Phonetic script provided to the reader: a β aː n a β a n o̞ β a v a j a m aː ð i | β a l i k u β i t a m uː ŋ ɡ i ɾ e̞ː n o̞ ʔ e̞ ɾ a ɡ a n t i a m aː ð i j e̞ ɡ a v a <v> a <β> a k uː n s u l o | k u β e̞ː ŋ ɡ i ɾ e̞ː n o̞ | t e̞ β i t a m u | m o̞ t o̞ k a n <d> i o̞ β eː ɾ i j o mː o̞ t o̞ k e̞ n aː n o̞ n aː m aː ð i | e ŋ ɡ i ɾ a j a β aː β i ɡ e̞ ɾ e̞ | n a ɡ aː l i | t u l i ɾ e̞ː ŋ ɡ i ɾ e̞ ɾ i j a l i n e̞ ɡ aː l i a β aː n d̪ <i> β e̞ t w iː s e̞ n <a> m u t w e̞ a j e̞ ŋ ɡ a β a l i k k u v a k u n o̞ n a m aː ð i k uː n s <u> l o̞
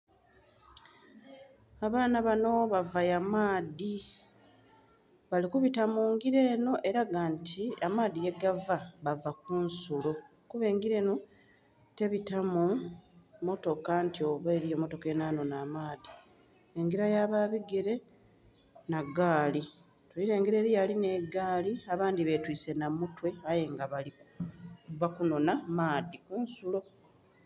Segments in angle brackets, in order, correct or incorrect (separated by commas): incorrect, incorrect, incorrect, correct, correct, correct